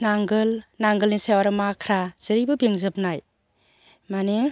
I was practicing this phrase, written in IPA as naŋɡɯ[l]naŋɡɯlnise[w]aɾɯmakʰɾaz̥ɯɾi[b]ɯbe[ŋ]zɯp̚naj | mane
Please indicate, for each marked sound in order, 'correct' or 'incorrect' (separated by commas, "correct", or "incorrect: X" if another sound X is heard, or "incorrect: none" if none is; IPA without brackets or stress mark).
correct, correct, correct, correct